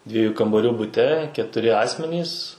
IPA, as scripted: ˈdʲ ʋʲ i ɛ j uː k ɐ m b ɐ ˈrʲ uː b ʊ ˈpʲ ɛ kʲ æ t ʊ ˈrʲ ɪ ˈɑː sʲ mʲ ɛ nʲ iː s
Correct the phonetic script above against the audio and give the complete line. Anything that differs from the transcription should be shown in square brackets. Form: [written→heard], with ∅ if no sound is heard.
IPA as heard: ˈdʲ ʋʲ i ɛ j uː k ɐ m b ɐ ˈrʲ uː b ʊ [ˈpʲ→ˈtʲ] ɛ kʲ [æ→ɛ] t ʊ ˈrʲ ɪ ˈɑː sʲ mʲ ɛ nʲ iː s